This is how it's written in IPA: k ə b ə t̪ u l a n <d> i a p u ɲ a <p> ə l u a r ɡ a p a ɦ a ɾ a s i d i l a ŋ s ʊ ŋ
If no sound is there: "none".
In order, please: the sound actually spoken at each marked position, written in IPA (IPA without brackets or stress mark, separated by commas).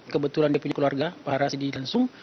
d, k